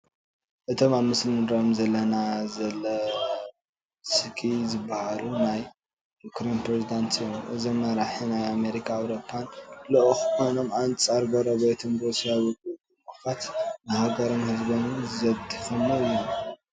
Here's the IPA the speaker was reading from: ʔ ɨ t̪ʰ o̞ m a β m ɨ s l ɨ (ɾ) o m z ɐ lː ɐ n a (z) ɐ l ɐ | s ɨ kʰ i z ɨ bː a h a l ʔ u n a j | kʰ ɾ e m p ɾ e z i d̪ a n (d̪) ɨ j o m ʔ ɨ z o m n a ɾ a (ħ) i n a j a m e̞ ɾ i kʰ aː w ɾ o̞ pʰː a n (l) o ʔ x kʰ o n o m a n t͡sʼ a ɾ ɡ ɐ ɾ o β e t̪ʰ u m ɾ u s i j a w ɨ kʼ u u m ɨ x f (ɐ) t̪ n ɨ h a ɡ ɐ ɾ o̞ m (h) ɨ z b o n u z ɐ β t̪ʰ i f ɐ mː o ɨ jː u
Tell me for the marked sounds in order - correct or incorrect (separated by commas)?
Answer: correct, correct, incorrect, correct, correct, incorrect, correct